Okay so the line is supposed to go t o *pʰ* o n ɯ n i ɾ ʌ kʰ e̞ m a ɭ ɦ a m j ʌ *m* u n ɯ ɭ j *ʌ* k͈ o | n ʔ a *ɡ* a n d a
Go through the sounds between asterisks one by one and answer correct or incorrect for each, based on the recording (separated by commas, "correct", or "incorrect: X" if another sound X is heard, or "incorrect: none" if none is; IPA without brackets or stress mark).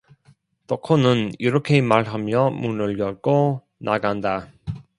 incorrect: kʰ, correct, correct, correct